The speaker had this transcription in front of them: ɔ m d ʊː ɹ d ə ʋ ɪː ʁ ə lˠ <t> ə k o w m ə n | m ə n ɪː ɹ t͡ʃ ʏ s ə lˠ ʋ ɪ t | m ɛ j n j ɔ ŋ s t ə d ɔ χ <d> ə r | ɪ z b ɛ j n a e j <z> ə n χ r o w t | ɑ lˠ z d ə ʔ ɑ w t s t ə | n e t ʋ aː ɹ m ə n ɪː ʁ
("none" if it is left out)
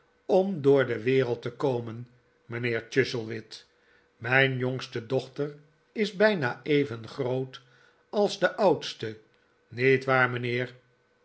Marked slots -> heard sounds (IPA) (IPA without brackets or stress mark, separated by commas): t, t, v